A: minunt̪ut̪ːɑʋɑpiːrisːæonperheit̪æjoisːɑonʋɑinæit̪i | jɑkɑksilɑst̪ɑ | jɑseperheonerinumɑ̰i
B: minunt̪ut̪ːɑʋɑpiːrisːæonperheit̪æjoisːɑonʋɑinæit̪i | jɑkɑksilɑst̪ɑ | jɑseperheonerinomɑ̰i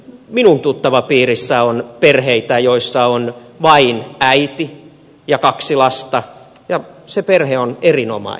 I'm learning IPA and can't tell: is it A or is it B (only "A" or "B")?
B